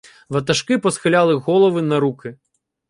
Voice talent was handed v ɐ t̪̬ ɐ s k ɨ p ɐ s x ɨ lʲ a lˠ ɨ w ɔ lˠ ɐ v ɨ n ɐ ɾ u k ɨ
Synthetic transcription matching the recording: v ɐ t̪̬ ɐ ʂ k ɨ p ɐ s x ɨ lʲ a lˠ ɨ ɣ ɔ lˠ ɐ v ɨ n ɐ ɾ u k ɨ